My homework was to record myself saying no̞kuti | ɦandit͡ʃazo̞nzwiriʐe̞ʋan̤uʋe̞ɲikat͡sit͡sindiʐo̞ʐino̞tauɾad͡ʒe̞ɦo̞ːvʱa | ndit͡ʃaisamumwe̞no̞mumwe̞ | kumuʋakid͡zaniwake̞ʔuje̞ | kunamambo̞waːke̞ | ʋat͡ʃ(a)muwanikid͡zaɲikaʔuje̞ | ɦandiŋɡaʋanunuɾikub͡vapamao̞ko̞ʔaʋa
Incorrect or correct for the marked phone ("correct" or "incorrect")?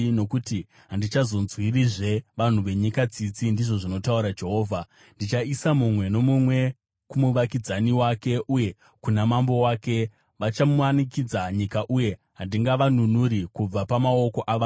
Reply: correct